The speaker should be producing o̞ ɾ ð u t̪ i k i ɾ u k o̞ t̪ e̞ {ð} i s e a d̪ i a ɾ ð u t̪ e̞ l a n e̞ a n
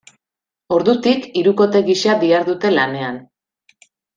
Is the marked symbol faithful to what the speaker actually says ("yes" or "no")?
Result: no